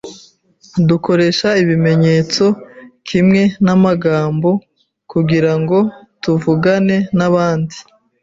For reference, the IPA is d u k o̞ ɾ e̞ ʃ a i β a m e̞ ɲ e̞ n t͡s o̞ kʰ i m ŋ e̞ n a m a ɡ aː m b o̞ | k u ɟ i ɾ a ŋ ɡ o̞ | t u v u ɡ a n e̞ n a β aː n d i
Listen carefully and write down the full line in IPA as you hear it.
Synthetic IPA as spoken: d u k o̞ ɾ e̞ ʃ a i β i m e̞ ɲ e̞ t͡s o̞ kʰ i m ŋ e̞ n a m a ɡ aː m b o̞ | k u ɡ i ɾ a ŋ ɡ o̞ | t u v u ɡ a n e̞ n a β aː n d i